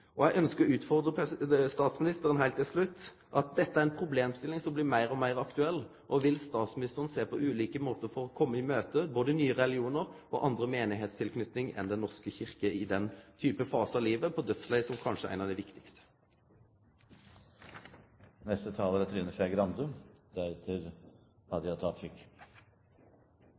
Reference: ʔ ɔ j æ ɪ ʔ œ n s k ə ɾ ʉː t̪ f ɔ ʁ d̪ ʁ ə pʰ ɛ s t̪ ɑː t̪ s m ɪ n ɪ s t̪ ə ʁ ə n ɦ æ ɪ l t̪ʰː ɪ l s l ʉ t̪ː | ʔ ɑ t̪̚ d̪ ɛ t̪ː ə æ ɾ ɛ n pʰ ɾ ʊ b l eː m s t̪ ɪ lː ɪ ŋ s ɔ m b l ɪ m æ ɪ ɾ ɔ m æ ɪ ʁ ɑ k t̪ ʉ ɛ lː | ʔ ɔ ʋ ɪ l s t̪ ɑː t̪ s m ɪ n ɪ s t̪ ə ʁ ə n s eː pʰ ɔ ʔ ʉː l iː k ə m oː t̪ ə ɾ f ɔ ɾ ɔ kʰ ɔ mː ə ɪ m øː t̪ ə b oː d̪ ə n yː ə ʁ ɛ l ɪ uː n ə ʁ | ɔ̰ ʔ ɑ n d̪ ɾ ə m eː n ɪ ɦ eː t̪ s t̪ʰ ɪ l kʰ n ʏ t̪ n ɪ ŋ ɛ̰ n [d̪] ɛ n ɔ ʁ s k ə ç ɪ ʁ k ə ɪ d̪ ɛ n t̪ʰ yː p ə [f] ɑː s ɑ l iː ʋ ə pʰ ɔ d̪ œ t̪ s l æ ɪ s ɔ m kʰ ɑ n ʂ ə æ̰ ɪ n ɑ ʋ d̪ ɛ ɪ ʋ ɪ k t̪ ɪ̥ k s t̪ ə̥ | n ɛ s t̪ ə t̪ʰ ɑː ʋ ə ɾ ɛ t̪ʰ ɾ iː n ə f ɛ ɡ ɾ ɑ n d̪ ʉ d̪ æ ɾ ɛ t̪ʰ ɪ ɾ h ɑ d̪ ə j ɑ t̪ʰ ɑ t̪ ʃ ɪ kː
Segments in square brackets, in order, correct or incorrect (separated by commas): correct, correct